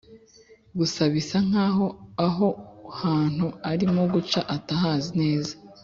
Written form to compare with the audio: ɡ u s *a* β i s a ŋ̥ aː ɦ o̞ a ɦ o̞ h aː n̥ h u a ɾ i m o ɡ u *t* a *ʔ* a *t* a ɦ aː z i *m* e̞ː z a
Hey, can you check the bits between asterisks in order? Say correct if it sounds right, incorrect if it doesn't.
correct, incorrect: t͡ʃ, correct, correct, incorrect: n

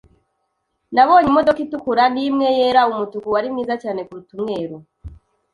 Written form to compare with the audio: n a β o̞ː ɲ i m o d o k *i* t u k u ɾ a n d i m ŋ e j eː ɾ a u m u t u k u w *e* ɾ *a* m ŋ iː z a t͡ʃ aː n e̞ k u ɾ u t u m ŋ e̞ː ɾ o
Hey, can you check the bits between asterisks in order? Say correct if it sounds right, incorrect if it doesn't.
correct, incorrect: a, incorrect: i

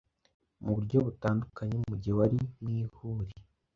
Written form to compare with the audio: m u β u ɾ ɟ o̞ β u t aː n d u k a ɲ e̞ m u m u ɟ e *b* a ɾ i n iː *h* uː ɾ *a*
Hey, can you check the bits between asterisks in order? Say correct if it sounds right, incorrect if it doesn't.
incorrect: w, correct, incorrect: i

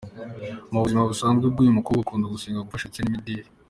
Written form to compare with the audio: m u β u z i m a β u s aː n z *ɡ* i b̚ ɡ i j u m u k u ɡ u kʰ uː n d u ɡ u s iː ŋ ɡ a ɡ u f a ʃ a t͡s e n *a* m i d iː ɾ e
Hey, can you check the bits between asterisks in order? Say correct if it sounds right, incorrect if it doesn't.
correct, incorrect: i

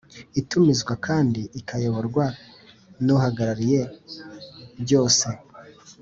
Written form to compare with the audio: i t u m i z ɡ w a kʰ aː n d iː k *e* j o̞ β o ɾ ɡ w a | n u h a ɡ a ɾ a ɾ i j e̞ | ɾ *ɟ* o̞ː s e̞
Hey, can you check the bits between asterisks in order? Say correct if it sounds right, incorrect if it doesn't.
incorrect: a, correct

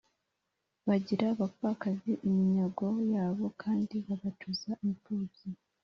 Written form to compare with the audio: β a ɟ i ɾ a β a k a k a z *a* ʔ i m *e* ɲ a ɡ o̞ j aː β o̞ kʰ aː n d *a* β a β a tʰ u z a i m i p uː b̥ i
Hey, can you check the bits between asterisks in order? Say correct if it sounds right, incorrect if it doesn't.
incorrect: i, incorrect: i, incorrect: i

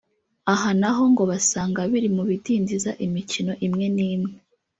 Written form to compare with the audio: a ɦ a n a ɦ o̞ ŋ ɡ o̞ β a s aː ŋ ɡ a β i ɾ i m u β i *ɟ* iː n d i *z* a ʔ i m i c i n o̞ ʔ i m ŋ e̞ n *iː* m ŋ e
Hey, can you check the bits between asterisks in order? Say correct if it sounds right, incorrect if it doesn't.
incorrect: d, correct, correct

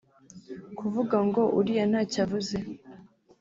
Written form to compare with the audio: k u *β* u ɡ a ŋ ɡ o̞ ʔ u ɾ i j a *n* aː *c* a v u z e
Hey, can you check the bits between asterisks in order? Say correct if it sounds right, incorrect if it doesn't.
incorrect: v, correct, correct

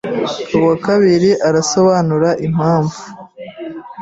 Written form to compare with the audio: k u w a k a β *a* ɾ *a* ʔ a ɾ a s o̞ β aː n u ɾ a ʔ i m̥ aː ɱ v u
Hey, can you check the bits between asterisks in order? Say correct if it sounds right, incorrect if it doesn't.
incorrect: i, incorrect: i

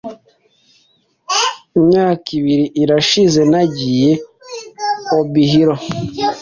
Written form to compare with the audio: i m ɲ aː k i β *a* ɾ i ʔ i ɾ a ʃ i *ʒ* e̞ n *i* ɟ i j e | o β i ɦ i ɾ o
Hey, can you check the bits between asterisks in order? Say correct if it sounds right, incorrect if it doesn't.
incorrect: i, incorrect: z, incorrect: a

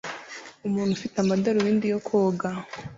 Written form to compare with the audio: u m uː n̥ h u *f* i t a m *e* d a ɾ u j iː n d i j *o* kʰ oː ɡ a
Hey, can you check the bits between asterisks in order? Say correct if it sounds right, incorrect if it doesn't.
correct, incorrect: a, correct

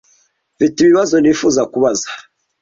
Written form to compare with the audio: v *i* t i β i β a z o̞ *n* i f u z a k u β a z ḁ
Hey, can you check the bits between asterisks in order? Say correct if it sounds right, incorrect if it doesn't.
correct, correct

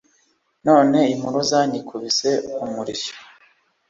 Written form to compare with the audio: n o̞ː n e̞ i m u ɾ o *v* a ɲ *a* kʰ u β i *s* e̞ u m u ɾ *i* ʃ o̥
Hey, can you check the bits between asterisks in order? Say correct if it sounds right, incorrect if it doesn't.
incorrect: z, incorrect: i, correct, correct

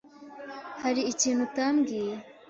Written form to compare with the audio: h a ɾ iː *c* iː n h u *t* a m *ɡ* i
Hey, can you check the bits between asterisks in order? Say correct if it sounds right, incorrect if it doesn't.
correct, correct, correct

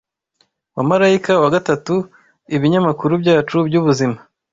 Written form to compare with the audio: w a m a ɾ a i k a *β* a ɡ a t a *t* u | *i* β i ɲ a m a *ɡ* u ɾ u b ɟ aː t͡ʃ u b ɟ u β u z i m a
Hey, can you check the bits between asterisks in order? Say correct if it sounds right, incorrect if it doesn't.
incorrect: w, correct, correct, incorrect: k

